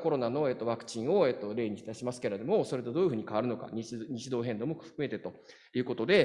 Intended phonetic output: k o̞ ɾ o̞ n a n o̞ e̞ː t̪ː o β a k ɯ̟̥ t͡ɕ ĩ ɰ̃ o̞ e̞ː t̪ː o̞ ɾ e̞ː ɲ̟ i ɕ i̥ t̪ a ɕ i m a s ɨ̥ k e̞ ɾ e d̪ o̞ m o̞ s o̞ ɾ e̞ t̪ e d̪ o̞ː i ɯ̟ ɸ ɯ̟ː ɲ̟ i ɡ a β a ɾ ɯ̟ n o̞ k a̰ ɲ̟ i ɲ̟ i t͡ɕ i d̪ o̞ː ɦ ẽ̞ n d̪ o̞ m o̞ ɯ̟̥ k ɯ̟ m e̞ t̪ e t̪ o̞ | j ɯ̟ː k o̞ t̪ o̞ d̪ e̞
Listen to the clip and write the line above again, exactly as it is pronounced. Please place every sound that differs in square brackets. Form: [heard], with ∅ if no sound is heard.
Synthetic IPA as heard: k o̞ ɾ o̞ n a n o̞ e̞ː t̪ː o β a k ɯ̟̥ t͡ɕ ĩ ɰ̃ o̞ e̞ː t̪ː o̞ ɾ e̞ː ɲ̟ i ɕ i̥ t̪ a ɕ i m a s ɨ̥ k e̞ ɾ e d̪ o̞ m o̞ s o̞ ɾ e̞ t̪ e d̪ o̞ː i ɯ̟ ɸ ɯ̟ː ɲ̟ i [k] a β a ɾ ɯ̟ n o̞ k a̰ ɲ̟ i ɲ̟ i t͡ɕ i d̪ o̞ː ɦ ẽ̞ n d̪ o̞ m o̞ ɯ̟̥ k ɯ̟ m e̞ t̪ e t̪ o̞ | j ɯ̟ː k o̞ t̪ o̞ d̪ e̞

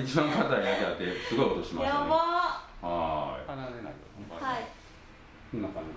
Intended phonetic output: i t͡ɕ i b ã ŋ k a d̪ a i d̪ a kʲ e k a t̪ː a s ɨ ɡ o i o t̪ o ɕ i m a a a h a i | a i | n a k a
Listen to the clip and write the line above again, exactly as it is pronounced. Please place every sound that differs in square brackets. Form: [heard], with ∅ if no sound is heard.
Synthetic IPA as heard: i t͡ɕ i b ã ŋ k a [t̪] a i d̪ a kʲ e [∅] a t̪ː [e] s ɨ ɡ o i o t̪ o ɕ i m a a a h a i | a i | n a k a

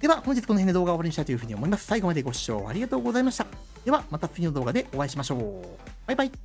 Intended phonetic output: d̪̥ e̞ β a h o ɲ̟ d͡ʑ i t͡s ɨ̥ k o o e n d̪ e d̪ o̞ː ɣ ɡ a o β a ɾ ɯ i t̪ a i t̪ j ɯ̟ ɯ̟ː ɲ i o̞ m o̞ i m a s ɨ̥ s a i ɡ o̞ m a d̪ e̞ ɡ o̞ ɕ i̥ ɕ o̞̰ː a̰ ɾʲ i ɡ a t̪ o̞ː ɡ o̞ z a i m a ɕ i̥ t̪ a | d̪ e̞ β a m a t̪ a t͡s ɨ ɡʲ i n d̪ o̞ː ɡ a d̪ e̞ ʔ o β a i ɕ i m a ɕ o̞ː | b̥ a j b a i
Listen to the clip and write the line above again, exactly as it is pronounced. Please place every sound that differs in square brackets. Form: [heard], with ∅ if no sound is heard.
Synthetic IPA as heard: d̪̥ e̞ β a h o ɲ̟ d͡ʑ i t͡s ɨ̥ k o o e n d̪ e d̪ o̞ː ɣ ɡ a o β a ɾ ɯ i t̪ a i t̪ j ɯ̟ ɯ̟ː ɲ i o̞ m o̞ i m a s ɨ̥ s a i ɡ o̞ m a d̪ e̞ ɡ o̞ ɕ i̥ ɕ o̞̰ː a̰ ɾʲ i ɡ a t̪ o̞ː ɡ o̞ z a i m a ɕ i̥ t̪ a | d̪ e̞ β a m a t̪ a t͡s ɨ ɡʲ i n d̪ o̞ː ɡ a d̪ e̞ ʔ o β a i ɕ i m a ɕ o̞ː | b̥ a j b a i

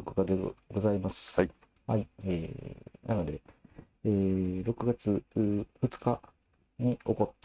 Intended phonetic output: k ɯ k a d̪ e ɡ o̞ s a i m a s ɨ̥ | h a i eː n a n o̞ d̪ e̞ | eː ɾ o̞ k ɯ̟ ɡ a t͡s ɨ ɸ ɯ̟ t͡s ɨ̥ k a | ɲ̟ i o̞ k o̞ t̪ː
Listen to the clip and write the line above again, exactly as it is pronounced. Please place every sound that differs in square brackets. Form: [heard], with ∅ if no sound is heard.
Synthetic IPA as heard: k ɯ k a d̪ e ɡ o̞ [z] a i m a s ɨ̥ | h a i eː n a n o̞ d̪ e̞ | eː ɾ o̞ k ɯ̟ ɡ a t͡s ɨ ɸ ɯ̟ t͡s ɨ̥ k a | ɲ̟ i o̞ k o̞ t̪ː

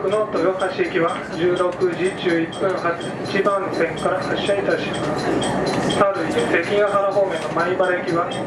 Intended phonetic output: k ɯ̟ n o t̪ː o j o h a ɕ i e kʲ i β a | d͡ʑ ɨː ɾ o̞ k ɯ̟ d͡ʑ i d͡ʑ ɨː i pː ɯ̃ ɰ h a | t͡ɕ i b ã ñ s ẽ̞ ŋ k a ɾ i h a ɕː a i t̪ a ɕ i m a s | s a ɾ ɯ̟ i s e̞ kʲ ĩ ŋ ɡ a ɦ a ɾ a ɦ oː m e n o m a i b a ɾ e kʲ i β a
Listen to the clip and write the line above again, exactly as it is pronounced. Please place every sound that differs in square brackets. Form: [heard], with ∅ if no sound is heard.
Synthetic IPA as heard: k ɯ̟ n o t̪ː o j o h a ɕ i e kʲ i β a | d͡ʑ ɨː ɾ o̞ k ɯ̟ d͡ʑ i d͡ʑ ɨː i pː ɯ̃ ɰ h a | t͡ɕ i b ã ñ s ẽ̞ ŋ k a ɾ [a] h a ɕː a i t̪ a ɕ i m a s | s a ɾ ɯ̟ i s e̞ kʲ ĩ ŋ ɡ a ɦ a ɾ a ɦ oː m e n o m a i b a ɾ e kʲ i β a

